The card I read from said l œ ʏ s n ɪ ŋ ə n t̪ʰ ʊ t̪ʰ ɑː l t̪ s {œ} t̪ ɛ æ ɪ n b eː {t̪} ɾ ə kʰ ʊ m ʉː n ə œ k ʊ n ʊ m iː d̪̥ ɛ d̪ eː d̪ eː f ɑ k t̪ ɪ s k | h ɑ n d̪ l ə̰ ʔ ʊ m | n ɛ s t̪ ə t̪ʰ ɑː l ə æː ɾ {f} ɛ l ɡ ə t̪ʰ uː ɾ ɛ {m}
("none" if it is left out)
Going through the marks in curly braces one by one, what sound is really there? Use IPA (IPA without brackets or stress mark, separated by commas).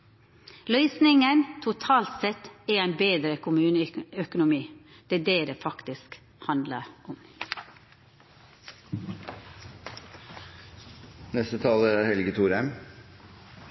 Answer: ɛ, d̪, h, m